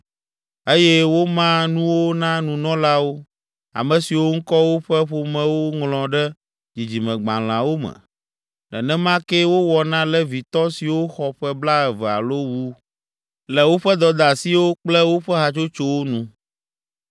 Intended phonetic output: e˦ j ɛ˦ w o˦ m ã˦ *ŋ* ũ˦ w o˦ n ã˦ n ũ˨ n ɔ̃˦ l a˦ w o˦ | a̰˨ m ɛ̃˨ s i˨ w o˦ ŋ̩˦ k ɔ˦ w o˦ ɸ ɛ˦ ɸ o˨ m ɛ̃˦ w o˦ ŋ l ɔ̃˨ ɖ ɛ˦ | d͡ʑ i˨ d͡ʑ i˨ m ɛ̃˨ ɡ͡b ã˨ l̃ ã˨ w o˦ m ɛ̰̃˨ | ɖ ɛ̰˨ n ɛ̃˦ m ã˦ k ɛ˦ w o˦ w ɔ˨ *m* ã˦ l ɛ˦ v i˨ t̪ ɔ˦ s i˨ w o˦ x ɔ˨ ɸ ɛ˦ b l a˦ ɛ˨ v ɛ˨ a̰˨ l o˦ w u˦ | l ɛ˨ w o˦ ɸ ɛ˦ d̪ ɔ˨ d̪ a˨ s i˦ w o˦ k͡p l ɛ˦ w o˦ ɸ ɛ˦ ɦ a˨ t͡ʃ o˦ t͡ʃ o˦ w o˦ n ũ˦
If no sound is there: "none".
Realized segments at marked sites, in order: n, n

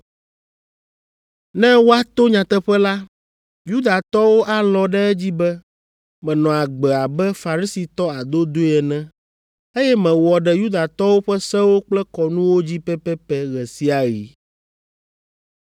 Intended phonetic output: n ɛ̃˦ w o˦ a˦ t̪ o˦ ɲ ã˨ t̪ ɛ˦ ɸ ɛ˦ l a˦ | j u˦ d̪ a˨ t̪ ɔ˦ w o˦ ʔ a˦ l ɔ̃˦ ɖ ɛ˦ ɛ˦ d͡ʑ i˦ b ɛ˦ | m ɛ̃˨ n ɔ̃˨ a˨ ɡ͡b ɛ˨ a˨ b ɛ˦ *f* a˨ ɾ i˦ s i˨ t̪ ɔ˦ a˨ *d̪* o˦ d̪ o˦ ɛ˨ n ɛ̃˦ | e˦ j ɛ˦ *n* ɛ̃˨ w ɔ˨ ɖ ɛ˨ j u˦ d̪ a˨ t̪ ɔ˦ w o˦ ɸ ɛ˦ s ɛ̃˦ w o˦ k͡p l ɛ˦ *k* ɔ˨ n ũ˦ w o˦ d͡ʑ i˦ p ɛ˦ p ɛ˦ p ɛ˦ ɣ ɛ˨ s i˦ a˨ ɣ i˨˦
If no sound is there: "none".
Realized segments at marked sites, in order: f, d̪, m, k

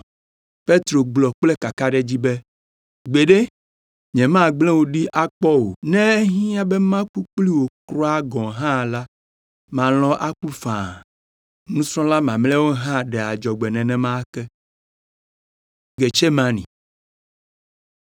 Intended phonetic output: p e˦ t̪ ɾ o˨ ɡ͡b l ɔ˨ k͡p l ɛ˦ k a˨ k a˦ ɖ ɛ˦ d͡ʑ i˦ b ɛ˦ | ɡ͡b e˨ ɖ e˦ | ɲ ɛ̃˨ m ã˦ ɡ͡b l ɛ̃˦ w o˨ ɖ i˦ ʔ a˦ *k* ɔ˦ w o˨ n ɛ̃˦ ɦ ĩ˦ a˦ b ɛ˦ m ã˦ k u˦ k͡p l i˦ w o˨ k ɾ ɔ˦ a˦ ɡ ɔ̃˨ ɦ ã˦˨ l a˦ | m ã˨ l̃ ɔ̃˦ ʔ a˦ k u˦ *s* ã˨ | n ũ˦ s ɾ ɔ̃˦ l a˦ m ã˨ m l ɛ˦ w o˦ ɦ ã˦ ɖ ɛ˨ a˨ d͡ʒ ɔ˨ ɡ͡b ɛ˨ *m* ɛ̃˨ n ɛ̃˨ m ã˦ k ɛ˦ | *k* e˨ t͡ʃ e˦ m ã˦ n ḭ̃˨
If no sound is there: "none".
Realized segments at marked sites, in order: k͡p, f, n, ɡ

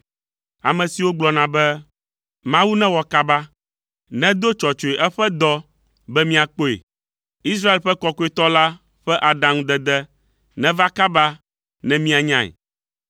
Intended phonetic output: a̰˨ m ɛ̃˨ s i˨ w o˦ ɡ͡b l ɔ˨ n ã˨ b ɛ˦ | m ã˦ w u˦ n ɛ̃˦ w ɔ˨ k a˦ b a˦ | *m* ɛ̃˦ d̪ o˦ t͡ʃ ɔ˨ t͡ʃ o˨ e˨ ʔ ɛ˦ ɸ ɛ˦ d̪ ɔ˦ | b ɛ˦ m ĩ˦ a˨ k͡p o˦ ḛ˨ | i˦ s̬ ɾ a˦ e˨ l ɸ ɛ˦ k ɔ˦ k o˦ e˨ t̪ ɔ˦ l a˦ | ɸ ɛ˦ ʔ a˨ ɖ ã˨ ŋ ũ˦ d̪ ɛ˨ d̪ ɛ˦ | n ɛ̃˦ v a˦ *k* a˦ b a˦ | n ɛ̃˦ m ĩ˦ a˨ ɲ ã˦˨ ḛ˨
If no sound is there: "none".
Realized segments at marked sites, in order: n, k

